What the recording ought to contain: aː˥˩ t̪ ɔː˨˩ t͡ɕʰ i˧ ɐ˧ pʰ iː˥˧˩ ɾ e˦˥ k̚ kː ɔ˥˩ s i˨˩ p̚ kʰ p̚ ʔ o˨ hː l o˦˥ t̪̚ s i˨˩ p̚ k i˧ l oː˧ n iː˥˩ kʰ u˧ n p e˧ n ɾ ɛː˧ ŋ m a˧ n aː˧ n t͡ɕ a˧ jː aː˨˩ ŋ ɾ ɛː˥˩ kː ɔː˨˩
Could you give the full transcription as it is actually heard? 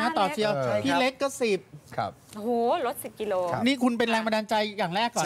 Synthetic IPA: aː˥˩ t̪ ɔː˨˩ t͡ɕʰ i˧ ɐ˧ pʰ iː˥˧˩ l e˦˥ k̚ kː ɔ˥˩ s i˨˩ p̚ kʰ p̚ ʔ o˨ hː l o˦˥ t̪̚ s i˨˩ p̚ k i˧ l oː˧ n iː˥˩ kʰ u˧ n p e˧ n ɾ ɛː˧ ŋ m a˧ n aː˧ n t͡ɕ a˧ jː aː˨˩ ŋ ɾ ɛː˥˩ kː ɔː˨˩